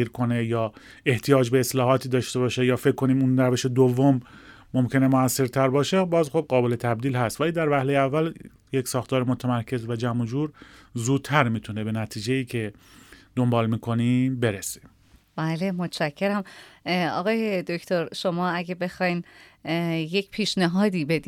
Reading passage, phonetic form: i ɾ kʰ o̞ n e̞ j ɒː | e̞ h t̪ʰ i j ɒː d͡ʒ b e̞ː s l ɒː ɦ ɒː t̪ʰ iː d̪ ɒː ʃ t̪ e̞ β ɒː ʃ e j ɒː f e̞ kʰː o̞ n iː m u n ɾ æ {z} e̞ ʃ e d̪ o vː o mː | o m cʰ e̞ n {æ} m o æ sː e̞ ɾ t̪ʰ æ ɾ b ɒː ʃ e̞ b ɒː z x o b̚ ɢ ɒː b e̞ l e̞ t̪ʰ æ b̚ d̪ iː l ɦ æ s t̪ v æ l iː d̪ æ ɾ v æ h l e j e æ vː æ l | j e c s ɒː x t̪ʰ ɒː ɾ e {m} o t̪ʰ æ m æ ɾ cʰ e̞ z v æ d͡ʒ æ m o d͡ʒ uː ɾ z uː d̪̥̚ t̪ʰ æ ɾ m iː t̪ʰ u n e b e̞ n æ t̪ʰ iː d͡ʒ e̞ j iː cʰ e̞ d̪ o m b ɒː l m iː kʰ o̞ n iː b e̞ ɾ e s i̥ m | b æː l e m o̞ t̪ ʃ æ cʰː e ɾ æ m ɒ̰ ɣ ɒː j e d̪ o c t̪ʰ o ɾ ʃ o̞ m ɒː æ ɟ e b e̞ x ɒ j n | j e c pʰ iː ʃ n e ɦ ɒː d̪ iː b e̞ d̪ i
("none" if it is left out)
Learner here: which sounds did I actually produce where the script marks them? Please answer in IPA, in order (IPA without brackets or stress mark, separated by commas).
v, e, m